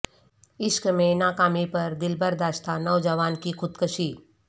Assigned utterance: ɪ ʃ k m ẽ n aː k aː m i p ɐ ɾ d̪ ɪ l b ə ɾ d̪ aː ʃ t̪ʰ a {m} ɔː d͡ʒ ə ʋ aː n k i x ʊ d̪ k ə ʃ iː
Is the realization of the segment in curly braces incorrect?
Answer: yes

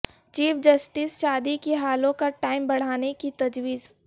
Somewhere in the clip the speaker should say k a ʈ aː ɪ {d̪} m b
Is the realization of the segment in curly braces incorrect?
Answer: yes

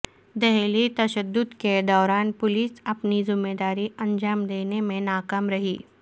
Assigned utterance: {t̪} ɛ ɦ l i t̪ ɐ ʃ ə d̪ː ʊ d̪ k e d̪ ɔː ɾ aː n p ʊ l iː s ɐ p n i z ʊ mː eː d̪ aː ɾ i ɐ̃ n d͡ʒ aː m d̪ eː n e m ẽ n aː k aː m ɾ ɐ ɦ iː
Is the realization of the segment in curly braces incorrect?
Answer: yes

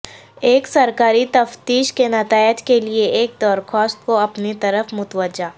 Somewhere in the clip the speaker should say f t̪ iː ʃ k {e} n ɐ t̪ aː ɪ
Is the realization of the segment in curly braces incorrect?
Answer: no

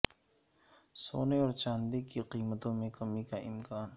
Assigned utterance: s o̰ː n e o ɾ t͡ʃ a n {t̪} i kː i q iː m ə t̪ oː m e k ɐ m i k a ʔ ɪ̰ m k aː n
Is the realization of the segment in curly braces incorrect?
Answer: yes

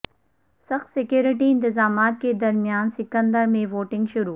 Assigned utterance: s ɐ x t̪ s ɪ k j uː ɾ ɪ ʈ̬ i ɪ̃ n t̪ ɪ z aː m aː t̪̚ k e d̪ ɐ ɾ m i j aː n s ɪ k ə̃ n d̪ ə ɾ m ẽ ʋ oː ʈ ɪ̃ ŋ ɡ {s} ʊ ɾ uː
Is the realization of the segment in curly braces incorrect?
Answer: yes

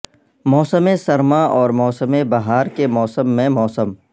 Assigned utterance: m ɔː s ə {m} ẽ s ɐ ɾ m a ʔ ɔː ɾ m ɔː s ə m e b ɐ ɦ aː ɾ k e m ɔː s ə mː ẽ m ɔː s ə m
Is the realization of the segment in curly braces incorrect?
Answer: no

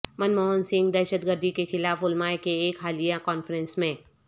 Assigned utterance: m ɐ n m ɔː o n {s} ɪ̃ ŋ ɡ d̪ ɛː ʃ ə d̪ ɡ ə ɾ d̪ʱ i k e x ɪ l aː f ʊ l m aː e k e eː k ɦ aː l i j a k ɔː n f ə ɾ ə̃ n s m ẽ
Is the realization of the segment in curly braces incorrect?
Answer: no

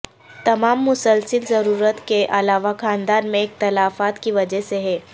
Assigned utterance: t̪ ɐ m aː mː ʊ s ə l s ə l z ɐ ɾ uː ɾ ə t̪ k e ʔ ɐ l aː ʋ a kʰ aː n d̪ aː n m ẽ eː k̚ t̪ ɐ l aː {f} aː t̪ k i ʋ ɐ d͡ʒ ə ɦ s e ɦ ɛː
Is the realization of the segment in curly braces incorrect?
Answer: no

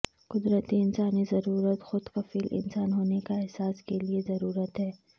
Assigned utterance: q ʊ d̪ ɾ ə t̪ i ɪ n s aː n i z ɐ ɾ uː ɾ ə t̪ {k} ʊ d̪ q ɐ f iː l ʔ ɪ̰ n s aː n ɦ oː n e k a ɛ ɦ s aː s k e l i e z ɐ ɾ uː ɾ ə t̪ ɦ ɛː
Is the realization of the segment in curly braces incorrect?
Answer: yes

